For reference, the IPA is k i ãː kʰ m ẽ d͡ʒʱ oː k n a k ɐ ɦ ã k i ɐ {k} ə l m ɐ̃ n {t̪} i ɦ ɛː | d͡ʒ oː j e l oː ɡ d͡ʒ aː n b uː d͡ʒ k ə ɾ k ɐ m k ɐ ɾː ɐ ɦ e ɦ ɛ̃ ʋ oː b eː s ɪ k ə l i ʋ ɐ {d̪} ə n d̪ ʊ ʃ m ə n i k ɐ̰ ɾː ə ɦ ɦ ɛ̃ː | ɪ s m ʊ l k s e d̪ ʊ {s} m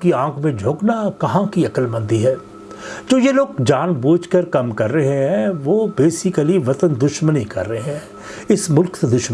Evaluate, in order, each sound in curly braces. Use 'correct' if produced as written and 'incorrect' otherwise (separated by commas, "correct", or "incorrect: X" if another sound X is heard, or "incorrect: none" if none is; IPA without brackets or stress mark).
correct, incorrect: d̪, incorrect: t̪, incorrect: ʃ